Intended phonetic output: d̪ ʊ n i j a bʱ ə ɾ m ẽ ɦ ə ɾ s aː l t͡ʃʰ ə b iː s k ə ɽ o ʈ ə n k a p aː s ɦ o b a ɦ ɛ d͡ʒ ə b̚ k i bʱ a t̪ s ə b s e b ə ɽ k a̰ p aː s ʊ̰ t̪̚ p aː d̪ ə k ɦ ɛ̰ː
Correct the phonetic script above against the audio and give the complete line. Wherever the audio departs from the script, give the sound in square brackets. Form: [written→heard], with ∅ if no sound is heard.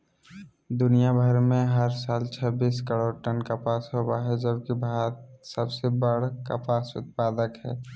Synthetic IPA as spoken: d̪ ʊ n i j a bʱ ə ɾ m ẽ ɦ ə ɾ s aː l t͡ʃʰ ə b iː s k ə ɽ o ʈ ə n k a p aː s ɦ o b a ɦ ɛ d͡ʒ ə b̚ k i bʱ a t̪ s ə b s e b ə ɽ k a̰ p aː s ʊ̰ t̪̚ p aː d̪ ə k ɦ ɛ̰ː